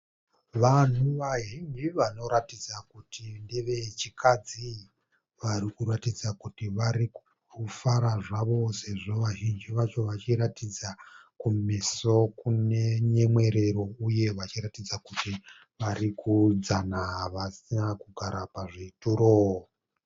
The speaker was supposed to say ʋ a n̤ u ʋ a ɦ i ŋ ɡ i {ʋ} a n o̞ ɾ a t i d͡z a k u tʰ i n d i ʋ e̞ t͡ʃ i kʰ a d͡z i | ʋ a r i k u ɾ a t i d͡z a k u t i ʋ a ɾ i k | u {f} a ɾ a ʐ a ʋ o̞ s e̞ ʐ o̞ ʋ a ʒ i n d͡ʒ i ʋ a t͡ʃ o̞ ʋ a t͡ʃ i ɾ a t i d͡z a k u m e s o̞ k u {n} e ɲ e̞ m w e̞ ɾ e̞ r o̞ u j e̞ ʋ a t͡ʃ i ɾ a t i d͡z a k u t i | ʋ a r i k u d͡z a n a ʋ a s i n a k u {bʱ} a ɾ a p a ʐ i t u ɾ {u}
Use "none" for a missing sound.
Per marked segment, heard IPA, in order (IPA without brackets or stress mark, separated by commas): ʋ, f, n, ɡʱ, o